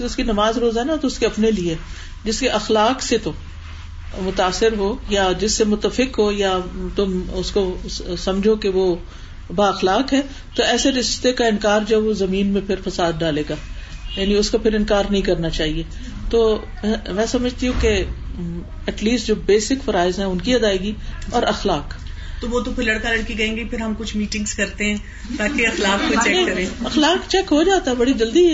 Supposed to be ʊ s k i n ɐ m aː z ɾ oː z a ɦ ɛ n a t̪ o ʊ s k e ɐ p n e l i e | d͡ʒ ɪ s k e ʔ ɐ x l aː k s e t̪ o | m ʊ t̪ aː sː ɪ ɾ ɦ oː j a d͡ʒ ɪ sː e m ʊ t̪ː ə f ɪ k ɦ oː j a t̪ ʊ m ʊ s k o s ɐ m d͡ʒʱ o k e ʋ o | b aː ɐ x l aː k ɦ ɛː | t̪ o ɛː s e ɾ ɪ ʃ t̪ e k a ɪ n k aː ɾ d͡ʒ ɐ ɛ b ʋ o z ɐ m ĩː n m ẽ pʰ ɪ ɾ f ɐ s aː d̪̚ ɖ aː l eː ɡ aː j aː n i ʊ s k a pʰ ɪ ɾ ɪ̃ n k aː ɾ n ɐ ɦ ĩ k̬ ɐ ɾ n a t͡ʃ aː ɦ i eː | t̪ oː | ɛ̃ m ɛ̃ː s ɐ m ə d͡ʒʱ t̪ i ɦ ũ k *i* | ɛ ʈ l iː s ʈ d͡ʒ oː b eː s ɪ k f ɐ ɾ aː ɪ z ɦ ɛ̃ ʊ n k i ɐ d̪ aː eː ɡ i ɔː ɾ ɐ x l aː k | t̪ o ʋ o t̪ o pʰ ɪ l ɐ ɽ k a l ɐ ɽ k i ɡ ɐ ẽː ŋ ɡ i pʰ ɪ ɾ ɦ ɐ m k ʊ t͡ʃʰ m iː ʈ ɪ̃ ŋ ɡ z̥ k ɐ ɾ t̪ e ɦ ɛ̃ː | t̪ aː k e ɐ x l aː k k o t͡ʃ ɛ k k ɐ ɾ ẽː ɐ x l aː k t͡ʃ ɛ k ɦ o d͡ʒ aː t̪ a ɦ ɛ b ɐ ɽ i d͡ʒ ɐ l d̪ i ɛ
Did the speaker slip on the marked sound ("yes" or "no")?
yes